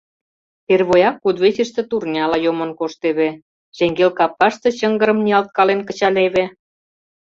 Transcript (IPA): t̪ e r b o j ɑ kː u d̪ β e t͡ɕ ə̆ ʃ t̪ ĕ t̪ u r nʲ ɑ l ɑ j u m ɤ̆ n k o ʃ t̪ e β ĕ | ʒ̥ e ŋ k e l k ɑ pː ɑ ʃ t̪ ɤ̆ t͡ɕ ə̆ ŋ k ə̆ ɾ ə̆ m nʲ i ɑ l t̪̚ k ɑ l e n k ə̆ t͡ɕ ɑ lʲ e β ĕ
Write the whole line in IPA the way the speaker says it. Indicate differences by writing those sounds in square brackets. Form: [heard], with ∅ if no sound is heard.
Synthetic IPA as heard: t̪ e r [β] o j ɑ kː u d̪ β e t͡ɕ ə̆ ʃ t̪ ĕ t̪ u r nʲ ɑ l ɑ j [o] m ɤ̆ n k o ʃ t̪ e β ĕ | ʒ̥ e ŋ [ɡ] e l k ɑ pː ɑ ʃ t̪ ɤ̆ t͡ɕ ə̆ ŋ [ɡ] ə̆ ɾ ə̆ m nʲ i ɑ l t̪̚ k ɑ l e n k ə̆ t͡ɕ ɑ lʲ e β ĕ